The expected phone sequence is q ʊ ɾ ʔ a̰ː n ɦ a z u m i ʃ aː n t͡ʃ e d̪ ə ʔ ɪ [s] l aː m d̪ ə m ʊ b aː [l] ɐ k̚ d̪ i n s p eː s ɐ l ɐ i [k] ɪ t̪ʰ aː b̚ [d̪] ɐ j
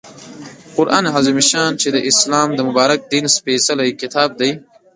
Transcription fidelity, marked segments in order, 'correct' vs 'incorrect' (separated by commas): correct, incorrect, correct, correct